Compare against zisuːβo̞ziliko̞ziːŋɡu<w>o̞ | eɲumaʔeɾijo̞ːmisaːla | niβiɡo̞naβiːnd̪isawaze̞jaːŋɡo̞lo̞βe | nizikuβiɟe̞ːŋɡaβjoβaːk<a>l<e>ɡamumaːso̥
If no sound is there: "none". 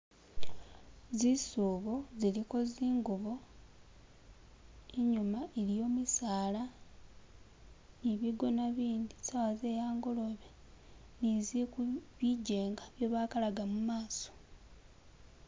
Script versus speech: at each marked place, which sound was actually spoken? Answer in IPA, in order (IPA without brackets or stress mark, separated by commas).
β, a, a